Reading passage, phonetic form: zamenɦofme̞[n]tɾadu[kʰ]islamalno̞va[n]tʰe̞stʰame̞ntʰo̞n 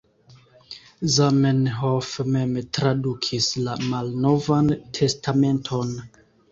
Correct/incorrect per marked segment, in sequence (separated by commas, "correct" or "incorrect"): incorrect, correct, correct